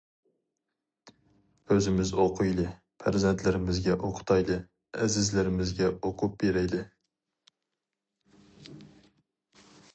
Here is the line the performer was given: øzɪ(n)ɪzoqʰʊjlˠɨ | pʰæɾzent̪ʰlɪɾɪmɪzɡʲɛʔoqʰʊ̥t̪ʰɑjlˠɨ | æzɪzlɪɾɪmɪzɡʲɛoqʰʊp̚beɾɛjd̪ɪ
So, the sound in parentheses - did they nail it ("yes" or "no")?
no